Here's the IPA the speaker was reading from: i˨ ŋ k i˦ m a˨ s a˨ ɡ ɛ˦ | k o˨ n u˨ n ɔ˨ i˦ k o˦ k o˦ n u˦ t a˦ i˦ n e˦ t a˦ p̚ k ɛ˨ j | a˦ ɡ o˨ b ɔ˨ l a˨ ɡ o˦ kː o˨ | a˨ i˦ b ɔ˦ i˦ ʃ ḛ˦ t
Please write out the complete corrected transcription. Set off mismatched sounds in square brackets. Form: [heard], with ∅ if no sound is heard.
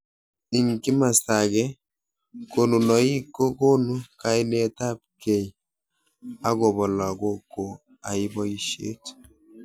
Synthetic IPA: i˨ ŋ k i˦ m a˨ s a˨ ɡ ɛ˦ | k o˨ n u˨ n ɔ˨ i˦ k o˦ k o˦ n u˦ [k] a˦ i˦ n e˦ t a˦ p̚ k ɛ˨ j | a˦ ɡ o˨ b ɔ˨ l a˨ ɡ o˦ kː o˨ | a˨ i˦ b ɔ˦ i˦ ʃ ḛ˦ t